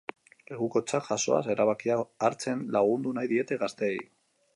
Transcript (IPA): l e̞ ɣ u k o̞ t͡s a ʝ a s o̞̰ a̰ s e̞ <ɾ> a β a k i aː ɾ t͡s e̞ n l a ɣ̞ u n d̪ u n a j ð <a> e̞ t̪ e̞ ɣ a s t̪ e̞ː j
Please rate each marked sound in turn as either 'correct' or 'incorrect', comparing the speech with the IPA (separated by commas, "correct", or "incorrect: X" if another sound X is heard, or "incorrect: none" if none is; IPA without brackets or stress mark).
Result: correct, incorrect: i